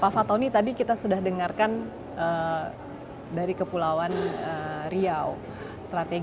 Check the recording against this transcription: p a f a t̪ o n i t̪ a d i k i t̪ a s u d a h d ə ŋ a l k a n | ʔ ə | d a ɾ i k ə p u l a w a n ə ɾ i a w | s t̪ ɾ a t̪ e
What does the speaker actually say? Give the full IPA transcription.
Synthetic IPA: p a f a t̪ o n i t̪ a d i k i t̪ a s u d a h d ə ŋ a r k a n | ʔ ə | d a ɾ i k ə p u l a w a n ə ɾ i a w | s t̪ ɾ a t̪ e